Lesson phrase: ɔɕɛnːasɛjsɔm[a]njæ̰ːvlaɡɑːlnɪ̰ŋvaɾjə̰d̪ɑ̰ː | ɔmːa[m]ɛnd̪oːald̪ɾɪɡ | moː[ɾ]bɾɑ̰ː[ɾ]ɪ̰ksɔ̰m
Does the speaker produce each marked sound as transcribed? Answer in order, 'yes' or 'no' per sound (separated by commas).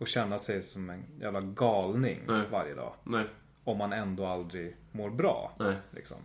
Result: no, no, yes, no